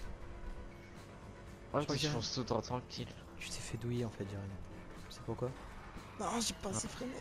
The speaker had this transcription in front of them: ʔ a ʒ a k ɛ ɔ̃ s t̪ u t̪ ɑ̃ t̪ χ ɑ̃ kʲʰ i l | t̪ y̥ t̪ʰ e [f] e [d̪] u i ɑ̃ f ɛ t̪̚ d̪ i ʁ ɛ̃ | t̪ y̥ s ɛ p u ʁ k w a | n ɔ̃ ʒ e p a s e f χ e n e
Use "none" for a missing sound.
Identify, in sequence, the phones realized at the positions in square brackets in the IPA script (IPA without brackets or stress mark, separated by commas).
f, d̪